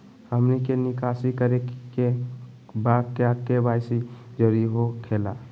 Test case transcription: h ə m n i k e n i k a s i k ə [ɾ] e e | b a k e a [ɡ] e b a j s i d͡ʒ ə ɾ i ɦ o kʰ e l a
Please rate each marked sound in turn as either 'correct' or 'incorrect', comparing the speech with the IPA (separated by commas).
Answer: correct, incorrect